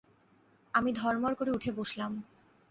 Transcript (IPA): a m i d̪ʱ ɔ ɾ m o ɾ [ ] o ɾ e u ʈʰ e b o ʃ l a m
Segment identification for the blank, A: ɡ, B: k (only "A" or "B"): B